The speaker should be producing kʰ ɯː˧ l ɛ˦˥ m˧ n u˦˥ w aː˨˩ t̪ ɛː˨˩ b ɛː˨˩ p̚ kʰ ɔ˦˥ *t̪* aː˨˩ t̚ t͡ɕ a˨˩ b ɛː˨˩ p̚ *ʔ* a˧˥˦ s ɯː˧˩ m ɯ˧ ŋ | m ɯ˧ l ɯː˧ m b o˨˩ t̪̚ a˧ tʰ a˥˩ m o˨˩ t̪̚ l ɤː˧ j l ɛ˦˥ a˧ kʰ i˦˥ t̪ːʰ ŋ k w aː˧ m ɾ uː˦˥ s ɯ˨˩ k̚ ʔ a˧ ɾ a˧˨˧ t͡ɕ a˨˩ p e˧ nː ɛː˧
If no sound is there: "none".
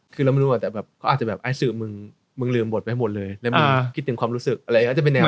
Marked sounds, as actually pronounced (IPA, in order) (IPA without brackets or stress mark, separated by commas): none, ʔ